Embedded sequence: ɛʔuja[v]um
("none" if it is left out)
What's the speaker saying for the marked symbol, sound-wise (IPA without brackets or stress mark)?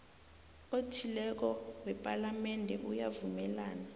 v